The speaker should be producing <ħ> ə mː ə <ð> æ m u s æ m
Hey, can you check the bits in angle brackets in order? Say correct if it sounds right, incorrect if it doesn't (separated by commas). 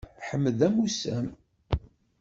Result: correct, correct